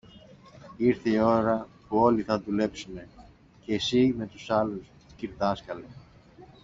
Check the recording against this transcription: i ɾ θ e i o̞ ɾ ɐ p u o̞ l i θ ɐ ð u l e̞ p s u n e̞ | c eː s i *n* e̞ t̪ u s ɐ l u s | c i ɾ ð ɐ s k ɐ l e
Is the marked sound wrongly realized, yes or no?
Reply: yes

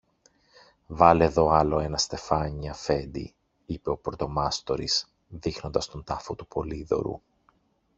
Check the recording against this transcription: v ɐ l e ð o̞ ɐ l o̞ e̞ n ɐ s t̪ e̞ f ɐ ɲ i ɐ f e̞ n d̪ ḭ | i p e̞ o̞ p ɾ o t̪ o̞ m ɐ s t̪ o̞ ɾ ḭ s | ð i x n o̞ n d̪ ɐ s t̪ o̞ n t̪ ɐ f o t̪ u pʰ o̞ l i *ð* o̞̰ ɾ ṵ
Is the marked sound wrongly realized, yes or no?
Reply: no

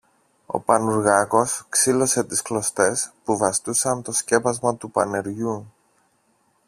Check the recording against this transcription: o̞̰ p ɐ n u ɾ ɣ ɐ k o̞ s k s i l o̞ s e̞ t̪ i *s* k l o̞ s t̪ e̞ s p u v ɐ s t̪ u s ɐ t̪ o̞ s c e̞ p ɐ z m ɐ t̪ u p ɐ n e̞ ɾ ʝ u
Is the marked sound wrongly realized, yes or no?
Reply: no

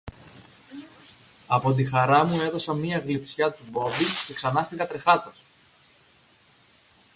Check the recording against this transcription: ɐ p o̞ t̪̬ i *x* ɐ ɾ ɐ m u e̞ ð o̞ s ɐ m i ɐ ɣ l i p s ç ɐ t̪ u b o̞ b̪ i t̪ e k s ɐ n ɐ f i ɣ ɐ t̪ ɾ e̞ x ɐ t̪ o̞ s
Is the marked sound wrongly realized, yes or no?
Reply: no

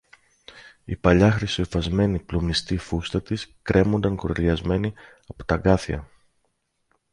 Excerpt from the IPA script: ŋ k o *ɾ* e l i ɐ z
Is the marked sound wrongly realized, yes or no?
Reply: no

